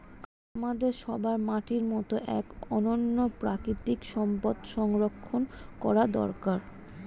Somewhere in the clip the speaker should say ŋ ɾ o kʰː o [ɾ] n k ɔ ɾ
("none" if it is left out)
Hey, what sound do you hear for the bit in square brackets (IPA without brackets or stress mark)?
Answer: none